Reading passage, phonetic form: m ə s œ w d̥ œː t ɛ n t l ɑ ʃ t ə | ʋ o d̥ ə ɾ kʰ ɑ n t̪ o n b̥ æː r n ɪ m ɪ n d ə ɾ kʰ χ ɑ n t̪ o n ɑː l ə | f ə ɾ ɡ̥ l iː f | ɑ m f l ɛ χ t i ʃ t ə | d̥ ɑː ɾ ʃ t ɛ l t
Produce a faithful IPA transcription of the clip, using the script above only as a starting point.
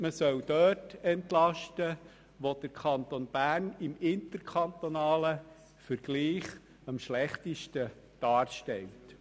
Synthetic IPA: m ə s œ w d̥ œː t ɛ n t l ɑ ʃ t ə | ʋ o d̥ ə ɾ kʰ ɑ n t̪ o n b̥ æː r n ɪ m ɪ n t ə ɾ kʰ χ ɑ n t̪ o n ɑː l ə | f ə ɾ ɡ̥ l iː χ | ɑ m ʃ l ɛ χ t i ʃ t ə | d̥ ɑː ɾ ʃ t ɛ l t